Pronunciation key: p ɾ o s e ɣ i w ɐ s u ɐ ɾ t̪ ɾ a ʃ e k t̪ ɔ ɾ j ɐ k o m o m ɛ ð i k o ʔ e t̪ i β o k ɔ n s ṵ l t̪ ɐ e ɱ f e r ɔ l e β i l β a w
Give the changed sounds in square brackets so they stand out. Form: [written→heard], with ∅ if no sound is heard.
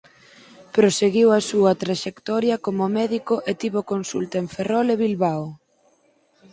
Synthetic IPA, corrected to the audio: p ɾ o s e ɣ i w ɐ s u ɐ [ɾ→∅] t̪ ɾ a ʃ e k t̪ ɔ ɾ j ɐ k o m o m ɛ ð i k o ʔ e t̪ i β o k [ɔ→o] n s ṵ l t̪ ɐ e ɱ f e r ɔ l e β i l β a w